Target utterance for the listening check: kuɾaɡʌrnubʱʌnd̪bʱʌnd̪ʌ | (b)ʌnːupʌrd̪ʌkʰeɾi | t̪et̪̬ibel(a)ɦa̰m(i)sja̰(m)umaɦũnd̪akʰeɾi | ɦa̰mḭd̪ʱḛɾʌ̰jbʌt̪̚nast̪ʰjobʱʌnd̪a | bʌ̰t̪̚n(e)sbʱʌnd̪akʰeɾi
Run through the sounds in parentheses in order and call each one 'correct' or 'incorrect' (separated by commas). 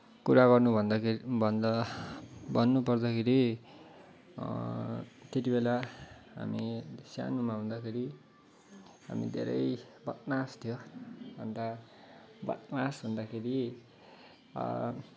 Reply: correct, correct, correct, incorrect, incorrect